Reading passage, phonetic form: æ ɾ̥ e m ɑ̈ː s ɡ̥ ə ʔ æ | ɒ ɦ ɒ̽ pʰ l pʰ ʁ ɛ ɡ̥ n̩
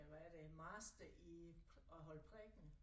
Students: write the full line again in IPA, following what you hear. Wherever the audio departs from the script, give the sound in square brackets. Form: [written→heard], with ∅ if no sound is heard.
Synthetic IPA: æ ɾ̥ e m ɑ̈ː s [ɡ̥→d̥] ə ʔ [æ→i] | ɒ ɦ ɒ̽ [pʰ→∅] l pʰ ʁ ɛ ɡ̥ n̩